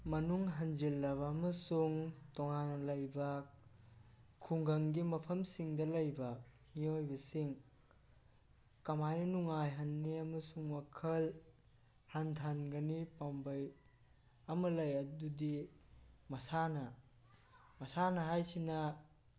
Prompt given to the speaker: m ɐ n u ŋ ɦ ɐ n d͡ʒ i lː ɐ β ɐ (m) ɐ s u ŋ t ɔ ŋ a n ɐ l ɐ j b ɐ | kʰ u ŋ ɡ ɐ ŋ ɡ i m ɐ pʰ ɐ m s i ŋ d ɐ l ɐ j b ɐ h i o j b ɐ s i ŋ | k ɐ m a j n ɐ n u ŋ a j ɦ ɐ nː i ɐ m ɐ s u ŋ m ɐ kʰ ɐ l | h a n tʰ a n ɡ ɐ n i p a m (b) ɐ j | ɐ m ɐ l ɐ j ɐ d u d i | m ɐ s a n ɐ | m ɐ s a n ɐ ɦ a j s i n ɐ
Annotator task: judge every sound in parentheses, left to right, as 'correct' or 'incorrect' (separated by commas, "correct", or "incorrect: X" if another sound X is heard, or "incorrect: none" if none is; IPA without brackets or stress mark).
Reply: correct, correct